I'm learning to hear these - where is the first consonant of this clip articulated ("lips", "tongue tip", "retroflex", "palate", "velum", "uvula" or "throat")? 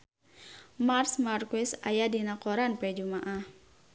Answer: lips